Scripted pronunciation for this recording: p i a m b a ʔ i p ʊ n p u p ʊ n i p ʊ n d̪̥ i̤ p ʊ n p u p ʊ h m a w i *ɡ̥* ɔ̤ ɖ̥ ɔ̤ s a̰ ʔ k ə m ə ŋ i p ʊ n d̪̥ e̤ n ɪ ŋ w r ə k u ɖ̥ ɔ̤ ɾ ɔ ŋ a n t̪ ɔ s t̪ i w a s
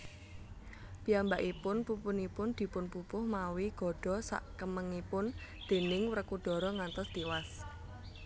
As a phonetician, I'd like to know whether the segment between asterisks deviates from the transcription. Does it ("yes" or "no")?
no